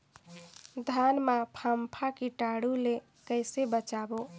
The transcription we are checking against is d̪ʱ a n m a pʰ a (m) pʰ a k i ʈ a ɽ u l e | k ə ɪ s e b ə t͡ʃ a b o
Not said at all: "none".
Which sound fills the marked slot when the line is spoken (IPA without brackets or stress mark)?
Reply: m